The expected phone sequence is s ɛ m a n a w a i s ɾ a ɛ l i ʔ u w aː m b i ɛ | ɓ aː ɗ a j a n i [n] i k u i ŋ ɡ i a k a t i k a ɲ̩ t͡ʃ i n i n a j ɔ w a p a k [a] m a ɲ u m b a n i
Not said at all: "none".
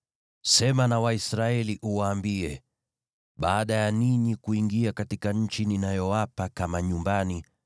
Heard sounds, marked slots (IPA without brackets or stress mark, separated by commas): ɲ, a